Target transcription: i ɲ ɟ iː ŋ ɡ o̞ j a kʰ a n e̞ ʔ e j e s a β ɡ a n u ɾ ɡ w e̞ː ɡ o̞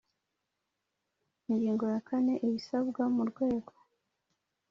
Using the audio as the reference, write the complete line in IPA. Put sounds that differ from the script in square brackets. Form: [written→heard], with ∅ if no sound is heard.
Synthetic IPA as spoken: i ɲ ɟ iː ŋ ɡ o̞ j a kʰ a n e̞ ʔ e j [e→i] s a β ɡ a [n→m] u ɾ ɡ w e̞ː ɡ o̞